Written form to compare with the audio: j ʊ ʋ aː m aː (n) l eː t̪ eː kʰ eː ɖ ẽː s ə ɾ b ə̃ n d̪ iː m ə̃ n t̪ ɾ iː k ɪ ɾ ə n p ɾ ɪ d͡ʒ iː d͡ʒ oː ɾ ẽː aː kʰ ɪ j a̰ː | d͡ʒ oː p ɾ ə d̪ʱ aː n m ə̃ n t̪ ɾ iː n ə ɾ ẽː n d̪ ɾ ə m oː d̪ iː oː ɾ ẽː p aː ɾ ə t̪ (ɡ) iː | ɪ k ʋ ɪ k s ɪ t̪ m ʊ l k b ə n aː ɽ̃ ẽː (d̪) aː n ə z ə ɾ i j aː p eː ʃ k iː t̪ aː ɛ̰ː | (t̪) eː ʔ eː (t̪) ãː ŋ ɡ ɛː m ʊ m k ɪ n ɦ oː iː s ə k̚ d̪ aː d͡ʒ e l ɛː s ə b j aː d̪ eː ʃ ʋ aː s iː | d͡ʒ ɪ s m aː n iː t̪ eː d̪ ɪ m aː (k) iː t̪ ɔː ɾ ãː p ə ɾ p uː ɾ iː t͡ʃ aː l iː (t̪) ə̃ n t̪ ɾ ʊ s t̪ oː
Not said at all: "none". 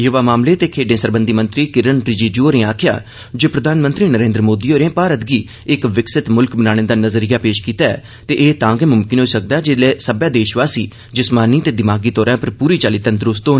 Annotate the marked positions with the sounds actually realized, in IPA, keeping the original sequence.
m, ɡ, d̪, t̪, t̪, ɡ, t̪

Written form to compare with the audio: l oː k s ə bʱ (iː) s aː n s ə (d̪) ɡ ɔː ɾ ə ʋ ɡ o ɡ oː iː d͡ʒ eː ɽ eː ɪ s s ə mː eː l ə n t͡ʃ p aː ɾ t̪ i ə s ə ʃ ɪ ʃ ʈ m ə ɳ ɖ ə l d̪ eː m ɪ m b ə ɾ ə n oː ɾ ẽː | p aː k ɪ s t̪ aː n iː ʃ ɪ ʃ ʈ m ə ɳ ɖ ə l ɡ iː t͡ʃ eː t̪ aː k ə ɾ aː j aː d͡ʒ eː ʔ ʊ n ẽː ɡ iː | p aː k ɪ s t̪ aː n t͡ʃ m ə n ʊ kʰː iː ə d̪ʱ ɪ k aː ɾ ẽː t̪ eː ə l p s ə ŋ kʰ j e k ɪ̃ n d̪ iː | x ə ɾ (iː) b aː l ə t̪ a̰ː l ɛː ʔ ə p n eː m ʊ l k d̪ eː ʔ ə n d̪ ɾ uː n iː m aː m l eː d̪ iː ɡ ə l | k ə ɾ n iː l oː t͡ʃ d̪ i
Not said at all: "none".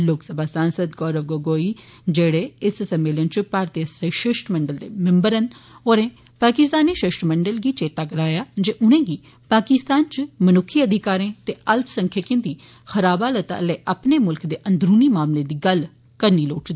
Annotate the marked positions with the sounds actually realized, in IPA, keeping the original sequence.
aː, d̪, aː

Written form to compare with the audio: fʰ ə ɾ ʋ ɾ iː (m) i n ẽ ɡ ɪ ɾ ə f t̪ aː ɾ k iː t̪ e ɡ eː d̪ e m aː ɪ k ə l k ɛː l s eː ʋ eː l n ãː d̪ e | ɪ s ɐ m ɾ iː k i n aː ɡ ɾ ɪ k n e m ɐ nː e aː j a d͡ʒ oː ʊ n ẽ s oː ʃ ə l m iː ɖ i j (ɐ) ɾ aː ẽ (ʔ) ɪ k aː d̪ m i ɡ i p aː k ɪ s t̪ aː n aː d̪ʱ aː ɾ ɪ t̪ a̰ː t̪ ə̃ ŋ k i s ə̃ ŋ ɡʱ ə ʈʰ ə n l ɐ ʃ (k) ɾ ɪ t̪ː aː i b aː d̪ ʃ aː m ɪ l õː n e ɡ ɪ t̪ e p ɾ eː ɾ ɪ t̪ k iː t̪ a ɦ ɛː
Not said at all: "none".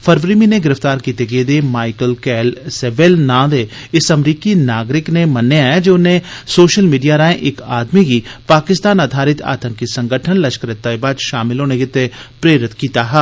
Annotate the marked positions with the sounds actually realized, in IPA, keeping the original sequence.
m, a, ʔ, k

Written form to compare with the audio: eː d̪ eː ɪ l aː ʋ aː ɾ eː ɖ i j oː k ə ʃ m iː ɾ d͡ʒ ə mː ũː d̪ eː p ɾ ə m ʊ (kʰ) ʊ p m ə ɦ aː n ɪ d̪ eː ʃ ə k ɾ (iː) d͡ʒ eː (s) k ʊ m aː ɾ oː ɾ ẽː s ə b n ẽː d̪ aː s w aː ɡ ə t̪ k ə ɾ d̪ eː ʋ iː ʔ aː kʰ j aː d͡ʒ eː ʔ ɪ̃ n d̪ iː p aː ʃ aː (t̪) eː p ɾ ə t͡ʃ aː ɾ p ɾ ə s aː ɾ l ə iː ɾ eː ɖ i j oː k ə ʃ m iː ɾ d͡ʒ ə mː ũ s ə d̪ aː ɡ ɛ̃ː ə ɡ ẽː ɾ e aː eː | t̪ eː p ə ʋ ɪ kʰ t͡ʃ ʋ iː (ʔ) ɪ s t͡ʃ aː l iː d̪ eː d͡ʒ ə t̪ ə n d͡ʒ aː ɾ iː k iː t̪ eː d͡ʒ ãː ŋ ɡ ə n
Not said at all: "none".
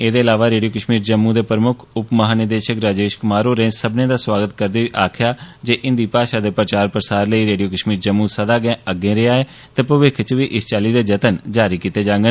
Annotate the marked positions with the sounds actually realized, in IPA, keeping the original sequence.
kʰ, aː, ʃ, d̪, ʔ

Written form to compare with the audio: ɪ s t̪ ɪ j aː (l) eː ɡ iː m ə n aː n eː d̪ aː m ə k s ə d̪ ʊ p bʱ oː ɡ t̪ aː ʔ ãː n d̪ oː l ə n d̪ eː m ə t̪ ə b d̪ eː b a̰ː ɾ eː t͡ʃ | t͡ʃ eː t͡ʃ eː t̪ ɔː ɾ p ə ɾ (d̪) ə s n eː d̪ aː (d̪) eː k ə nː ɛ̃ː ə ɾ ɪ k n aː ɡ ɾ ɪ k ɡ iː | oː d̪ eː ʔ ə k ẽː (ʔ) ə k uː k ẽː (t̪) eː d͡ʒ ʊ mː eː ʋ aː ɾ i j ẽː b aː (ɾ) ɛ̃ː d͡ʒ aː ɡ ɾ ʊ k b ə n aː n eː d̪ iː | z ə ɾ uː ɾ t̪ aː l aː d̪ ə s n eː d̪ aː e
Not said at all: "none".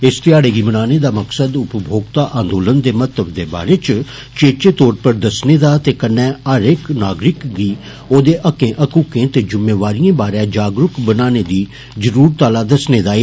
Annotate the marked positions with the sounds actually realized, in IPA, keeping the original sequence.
ɽ, d̪, t̪, ʔ, t̪, ɾ

